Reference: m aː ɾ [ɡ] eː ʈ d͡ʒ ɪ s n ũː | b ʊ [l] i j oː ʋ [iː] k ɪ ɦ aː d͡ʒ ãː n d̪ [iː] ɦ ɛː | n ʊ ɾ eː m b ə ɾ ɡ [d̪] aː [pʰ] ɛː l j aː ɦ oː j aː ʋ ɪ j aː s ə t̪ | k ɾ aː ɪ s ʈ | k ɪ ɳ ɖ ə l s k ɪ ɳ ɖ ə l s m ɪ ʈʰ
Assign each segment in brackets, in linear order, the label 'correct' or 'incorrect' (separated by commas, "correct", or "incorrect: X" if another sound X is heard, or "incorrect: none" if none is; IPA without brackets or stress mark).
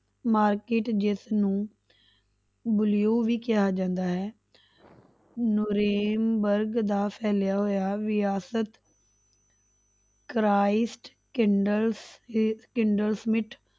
incorrect: k, correct, correct, incorrect: aː, correct, correct